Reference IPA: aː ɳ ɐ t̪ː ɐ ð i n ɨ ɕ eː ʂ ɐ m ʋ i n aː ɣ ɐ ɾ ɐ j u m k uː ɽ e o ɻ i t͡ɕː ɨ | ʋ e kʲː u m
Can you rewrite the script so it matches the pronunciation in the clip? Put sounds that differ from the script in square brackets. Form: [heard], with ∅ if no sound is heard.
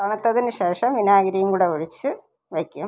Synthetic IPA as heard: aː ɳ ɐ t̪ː ɐ ð i n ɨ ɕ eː ʂ ɐ m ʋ i n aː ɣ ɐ ɾ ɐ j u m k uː ɽ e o ɻ i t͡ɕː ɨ | ʋ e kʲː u m